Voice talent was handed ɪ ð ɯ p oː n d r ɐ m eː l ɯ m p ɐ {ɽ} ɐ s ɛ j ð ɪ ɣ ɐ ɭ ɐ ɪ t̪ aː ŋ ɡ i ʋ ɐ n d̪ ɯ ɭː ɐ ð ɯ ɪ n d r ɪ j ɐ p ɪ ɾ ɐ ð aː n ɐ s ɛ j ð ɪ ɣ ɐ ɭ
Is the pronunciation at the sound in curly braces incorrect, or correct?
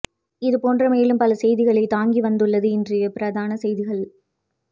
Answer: incorrect